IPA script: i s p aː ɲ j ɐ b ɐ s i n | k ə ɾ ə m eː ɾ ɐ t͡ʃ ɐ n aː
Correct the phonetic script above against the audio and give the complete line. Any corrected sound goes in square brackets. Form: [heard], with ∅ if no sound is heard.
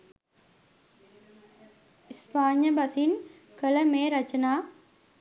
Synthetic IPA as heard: i s p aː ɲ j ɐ b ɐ s i n | k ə [l] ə m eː ɾ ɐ t͡ʃ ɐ n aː

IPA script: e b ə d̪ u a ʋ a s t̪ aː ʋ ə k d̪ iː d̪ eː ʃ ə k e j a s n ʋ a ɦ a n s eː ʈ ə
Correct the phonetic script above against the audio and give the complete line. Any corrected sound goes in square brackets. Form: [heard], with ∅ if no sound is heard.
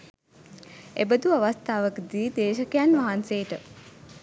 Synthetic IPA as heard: e b ə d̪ u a ʋ a s t̪ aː ʋ ə k d̪ iː d̪ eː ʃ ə k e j a [∅] n ʋ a ɦ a n s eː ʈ ə

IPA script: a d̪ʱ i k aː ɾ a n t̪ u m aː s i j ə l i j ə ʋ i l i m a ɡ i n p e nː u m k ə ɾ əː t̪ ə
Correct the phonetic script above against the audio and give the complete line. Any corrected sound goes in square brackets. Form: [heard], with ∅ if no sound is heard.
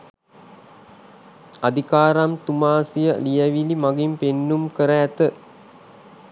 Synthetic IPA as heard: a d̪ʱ i k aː ɾ a [m] t̪ u m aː s i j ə l i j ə ʋ i l i m a ɡ i [m] p e nː u m k ə ɾ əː t̪ ə

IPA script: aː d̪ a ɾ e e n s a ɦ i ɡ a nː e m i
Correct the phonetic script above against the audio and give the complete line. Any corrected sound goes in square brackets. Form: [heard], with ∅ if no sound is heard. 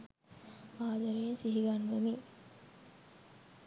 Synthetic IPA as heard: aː d̪ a ɾ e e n s [i] ɦ i ɡ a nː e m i

